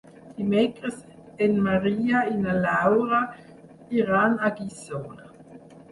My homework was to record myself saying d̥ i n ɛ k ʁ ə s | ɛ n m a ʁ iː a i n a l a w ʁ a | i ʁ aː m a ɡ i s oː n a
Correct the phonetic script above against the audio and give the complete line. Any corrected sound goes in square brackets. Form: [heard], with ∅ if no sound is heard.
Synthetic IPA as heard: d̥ i [m] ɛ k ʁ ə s | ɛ n m a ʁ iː a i n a l a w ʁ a | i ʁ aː [n] a ɡ i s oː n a